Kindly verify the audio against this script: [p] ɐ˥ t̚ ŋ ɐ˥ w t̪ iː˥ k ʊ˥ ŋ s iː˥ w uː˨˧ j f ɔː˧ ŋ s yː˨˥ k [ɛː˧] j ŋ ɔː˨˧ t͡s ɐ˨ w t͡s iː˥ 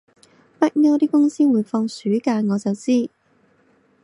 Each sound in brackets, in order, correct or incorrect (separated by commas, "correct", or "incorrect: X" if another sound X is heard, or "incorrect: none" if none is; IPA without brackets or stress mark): correct, incorrect: aː˧